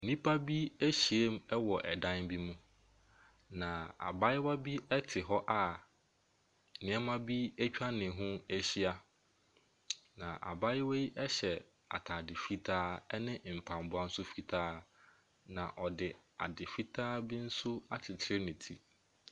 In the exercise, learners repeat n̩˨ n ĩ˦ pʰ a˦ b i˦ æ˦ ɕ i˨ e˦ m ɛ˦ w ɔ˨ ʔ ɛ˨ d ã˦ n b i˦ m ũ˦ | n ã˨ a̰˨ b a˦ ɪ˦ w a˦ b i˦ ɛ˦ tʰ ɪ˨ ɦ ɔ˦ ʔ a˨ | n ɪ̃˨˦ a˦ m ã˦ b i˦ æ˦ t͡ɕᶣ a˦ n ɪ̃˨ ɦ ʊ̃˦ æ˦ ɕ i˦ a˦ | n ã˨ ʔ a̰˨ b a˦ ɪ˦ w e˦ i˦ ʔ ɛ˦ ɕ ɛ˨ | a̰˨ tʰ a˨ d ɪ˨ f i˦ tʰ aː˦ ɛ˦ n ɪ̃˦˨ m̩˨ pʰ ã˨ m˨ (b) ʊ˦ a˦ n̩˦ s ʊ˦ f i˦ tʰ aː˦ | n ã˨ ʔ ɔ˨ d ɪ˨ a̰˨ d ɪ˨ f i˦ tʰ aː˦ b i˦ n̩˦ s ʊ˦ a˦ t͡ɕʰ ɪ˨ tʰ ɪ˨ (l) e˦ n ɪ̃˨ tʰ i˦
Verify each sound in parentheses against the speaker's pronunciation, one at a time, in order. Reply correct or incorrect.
correct, incorrect: ɾ

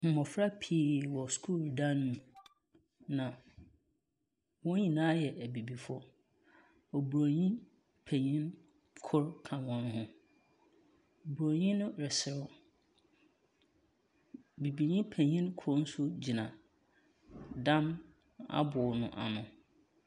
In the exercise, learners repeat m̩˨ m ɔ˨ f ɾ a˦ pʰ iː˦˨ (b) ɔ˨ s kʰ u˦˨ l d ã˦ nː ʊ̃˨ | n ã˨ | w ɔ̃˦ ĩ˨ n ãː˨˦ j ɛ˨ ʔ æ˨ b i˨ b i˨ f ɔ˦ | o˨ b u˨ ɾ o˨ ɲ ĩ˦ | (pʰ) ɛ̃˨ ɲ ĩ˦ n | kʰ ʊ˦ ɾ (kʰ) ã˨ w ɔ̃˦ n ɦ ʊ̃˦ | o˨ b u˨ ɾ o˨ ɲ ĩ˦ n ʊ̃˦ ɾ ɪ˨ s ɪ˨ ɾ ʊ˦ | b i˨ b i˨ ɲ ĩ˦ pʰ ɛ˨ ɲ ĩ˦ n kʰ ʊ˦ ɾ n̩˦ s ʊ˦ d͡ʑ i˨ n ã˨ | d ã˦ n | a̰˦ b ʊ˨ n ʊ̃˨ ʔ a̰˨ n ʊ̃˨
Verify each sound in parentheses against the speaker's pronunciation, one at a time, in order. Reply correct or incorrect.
incorrect: w, correct, correct

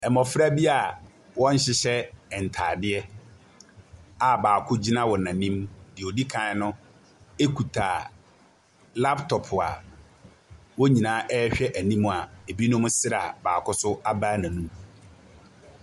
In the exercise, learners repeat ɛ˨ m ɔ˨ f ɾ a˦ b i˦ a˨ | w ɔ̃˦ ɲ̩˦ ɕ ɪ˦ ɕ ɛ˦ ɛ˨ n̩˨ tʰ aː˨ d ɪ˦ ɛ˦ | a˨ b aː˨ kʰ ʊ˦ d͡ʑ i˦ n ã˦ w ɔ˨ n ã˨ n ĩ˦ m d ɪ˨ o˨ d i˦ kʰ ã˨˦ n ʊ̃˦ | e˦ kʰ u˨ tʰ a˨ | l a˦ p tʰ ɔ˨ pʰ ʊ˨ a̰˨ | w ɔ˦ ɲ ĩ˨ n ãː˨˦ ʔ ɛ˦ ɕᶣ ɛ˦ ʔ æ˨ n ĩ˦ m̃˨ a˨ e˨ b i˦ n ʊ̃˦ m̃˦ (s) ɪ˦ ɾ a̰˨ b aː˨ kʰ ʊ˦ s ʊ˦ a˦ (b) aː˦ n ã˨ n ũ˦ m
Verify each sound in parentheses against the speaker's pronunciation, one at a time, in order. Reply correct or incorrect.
correct, correct

